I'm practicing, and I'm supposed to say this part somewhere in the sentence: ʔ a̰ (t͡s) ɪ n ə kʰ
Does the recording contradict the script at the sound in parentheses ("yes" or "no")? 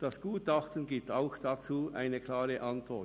yes